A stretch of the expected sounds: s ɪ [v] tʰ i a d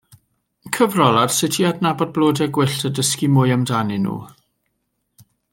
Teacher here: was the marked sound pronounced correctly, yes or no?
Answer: no